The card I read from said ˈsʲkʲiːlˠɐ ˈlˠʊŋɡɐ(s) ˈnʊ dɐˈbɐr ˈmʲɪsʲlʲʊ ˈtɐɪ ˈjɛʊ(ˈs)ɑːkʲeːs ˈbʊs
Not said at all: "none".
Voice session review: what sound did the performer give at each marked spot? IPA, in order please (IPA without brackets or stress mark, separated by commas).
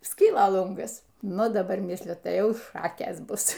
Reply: s, ʃ